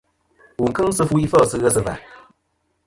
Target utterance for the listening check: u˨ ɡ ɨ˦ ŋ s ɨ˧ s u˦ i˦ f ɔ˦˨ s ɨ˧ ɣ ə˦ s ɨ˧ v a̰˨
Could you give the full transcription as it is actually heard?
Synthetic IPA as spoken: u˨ k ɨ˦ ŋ s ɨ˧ f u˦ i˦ f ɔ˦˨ s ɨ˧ ɣ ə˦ s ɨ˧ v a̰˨

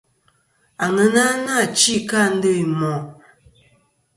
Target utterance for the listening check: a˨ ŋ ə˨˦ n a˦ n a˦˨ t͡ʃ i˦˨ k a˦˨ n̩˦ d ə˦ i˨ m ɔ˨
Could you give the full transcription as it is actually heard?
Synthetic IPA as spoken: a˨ ŋ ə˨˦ n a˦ n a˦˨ t͡ʃ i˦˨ k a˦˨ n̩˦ d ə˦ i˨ m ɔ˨

